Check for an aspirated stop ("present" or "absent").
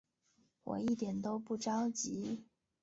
absent